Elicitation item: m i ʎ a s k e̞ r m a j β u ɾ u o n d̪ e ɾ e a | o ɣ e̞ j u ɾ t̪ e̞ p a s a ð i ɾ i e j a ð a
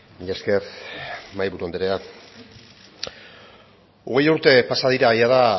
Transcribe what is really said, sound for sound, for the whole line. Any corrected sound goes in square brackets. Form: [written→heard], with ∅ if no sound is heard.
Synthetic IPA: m i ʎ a s k e̞ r m a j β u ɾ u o n d̪ e ɾ e a | o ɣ e̞ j u ɾ t̪ e̞ p a s a ð i ɾ [i→a] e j a ð a